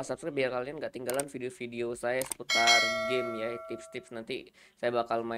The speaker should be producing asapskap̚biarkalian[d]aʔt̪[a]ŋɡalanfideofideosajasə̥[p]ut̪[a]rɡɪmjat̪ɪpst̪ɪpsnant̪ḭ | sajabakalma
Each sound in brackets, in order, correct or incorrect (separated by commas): incorrect, incorrect, correct, correct